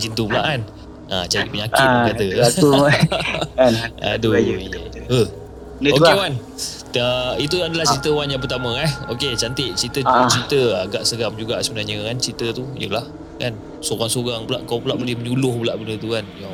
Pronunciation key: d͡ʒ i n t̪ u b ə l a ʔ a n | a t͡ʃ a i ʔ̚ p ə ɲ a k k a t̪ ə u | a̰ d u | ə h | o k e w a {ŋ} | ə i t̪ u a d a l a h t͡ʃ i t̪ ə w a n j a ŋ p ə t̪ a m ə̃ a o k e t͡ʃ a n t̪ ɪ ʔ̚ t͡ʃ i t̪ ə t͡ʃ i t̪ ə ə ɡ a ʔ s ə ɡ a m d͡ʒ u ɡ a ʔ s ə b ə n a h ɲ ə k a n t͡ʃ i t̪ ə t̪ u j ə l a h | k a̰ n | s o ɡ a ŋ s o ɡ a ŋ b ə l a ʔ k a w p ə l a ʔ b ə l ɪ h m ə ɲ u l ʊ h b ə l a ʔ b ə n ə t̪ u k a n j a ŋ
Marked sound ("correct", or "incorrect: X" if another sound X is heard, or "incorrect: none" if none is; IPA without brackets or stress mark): incorrect: n